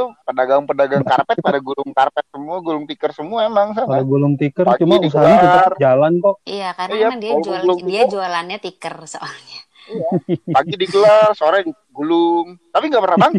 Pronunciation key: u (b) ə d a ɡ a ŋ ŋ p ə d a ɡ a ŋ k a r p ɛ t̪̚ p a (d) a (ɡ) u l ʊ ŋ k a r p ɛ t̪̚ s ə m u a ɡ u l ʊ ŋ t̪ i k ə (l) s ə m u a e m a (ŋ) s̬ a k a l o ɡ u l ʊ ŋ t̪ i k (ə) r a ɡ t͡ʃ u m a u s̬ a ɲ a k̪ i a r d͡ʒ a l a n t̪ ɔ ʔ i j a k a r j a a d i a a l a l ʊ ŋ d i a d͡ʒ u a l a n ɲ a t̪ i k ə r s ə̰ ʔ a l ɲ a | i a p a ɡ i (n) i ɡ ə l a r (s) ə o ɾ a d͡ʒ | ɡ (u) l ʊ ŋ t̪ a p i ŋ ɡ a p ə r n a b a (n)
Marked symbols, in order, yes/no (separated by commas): no, yes, yes, no, yes, yes, no, yes, yes, no